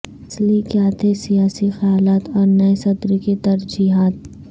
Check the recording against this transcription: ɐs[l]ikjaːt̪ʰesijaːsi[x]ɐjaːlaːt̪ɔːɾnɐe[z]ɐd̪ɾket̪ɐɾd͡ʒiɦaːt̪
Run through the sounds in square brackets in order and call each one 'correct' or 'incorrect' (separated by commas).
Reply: correct, correct, incorrect